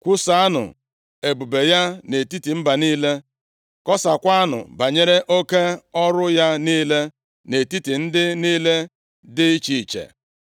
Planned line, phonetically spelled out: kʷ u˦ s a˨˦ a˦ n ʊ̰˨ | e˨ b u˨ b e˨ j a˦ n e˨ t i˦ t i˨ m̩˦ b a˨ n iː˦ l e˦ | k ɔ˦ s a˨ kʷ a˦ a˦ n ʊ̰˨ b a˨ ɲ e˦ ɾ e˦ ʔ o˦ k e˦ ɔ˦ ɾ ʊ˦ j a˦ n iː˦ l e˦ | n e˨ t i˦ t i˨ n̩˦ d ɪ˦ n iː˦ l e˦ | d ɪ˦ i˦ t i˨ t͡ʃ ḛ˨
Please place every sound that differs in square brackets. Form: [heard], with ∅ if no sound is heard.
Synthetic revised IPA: kʷ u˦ s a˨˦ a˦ n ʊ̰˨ | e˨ b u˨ b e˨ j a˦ n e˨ t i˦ t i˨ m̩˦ b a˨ n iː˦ l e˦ | k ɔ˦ s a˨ kʷ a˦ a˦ n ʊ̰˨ b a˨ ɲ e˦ ɾ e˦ ʔ o˦ k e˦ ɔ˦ ɾ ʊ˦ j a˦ n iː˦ l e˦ | n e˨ t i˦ t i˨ n̩˦ d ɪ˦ n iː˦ l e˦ | d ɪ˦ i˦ [t͡ʃ] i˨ t͡ʃ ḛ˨